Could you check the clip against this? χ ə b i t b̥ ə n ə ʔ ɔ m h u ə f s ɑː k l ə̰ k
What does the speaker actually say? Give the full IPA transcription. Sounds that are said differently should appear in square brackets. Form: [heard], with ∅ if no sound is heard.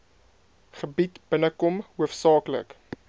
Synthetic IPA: χ ə b i t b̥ ə n ə [k] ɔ m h u ə f s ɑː k l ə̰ k